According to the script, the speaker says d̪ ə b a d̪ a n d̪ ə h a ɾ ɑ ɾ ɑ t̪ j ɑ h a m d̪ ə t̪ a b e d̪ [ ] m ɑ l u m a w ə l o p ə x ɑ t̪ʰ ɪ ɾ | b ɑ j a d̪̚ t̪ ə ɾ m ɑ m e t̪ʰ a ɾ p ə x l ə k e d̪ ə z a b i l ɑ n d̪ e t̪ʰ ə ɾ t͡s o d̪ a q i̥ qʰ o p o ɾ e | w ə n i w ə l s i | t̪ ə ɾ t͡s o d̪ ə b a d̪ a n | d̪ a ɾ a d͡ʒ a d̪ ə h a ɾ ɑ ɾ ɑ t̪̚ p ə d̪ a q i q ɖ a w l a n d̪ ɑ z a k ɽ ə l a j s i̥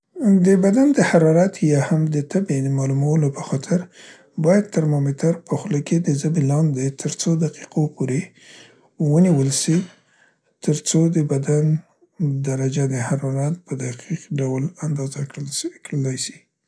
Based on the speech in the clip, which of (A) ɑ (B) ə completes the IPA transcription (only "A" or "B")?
B